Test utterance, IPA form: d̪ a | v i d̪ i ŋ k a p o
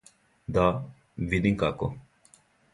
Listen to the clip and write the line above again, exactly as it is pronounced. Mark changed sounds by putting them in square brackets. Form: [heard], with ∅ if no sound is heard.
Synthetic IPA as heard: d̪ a | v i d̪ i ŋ k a [k] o

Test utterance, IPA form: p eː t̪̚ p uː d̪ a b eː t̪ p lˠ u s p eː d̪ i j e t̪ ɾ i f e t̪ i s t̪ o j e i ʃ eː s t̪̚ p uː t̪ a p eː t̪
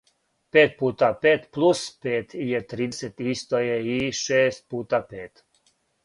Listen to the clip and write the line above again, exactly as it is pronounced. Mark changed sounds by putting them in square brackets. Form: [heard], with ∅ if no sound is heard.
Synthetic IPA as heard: p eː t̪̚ p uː [t̪] a [p] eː t̪ p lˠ u s p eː [t̪] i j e t̪ ɾ i [s] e t̪ i s t̪ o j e i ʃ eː s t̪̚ p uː t̪ a p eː t̪

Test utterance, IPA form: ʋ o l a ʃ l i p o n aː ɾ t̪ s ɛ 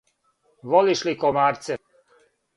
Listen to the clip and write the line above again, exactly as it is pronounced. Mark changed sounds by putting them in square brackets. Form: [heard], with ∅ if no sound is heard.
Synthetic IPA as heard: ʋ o l [i] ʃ l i [k] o [m] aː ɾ t̪ s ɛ

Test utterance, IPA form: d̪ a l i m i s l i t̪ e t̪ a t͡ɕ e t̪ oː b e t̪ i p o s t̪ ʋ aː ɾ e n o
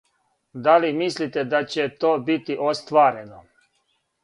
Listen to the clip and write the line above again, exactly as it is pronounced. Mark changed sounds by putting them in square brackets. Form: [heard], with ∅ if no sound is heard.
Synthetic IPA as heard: d̪ a l i m i s l i t̪ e [d̪] a t͡ɕ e t̪ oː b [i] t̪ i [ʔ] o s t̪ ʋ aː ɾ e n o

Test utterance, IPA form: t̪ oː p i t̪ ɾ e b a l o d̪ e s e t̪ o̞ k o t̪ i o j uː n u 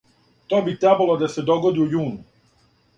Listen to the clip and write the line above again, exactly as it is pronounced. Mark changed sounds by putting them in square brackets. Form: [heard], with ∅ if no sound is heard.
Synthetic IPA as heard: t̪ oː [b] i t̪ ɾ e b a l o d̪ [a] s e [d̪] o̞ [ɡ] o [d̪] i [u] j uː n u

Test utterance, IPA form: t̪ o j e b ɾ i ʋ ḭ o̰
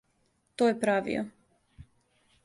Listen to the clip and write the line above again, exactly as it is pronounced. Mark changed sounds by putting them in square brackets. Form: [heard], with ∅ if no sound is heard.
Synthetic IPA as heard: t̪ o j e [p] ɾ [a] ʋ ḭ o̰

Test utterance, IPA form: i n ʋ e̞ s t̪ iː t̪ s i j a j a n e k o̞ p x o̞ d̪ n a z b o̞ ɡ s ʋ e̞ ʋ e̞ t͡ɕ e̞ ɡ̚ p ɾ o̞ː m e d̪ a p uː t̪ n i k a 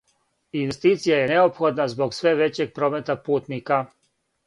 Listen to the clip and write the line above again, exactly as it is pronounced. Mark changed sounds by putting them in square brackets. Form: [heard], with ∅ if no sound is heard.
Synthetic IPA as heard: i n ʋ e̞ s t̪ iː t̪ s i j a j [e] n e [∅] o̞ p x o̞ d̪ n a z b o̞ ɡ s ʋ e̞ ʋ e̞ t͡ɕ e̞ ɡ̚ p ɾ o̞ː m e [t̪] a p uː t̪ n i k a

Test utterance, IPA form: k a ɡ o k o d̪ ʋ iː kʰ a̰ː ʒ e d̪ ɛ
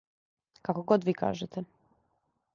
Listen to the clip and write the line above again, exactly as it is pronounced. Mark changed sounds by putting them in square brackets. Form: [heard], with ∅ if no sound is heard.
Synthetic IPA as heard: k a [k] o [ɡ] o d̪ ʋ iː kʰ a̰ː ʒ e [t̪] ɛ

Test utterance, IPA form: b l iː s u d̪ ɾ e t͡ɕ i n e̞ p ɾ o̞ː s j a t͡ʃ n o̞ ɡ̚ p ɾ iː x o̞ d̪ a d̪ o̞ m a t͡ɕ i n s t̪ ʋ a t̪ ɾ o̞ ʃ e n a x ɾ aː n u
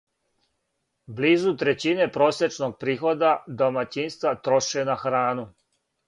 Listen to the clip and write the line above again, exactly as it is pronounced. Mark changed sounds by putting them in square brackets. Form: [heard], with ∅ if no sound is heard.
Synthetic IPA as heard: b l iː [z] u [t̪] ɾ e t͡ɕ i n e̞ p ɾ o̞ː s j [e] t͡ʃ n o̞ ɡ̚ p ɾ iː x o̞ d̪ a d̪ o̞ m a t͡ɕ i n s t̪ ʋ a t̪ ɾ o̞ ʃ e n a x ɾ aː n u

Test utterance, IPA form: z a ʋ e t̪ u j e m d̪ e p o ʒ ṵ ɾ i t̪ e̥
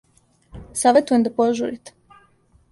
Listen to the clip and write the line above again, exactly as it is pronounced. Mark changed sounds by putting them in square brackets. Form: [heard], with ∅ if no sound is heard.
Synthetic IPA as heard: [s] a ʋ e t̪ u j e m d̪ [a] p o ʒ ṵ ɾ i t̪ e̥

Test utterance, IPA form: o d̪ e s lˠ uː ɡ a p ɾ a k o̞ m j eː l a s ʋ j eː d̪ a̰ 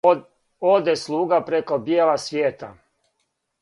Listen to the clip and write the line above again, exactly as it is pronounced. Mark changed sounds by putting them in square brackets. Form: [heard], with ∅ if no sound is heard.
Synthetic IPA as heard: o d̪ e s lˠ uː ɡ a p ɾ [e] k o̞ [b] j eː l a s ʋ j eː [t̪] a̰

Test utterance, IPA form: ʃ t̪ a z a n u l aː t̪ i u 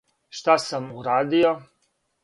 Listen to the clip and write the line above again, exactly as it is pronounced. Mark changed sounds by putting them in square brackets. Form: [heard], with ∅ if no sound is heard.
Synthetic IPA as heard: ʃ t̪ a [s] a [m] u [ɾ] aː [d̪] i [o]

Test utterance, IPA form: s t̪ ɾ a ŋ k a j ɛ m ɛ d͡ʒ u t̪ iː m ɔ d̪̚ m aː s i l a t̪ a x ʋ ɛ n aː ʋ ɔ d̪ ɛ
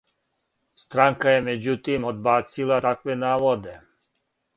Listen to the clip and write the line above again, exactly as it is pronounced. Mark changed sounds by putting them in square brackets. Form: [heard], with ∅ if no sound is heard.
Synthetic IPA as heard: s t̪ ɾ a ŋ k a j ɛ m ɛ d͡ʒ u t̪ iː m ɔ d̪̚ [b] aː s i l a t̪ a [k] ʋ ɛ n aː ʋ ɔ d̪ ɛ

